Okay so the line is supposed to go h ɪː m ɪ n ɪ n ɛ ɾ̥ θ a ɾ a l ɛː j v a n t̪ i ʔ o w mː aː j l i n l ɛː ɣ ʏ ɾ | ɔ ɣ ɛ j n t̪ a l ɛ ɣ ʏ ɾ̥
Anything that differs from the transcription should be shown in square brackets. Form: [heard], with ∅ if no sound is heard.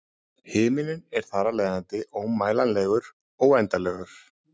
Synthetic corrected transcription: h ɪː m ɪ n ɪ n ɛ ɾ̥ θ a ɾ a l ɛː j [ð] a n t̪ [ɪ] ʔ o w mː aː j l [a] n l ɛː ɣ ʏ ɾ | ɔ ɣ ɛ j n t̪ a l ɛ ɣ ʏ ɾ̥